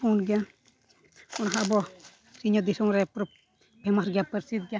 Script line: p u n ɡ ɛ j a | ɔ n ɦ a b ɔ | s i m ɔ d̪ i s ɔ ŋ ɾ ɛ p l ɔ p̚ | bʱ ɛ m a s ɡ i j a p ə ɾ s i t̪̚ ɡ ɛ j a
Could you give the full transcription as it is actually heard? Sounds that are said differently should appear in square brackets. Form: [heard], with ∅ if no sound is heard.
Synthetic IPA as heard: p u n ɡ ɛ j a | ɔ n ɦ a b ɔ | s i [ɲ] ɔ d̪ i s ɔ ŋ ɾ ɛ p [ɾ] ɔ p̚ | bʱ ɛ m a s ɡ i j a p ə ɾ s i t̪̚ ɡ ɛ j a